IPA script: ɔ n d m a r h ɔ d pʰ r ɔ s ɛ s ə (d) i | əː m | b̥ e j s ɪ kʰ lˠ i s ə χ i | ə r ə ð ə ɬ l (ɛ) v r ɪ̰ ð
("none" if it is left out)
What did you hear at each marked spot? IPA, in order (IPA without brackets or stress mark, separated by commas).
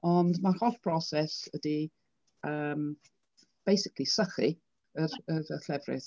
d, ɛ